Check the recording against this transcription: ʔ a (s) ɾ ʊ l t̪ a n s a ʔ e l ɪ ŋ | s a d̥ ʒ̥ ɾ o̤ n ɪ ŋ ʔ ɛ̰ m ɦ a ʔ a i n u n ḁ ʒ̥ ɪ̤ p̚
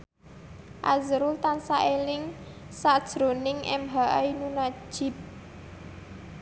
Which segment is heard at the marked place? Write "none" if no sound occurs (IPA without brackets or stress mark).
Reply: z